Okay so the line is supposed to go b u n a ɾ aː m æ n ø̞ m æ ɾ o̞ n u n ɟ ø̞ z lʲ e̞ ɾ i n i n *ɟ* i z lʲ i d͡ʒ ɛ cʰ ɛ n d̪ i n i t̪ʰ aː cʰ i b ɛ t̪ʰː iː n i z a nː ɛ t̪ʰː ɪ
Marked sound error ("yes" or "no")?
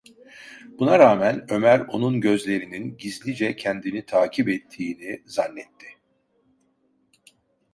no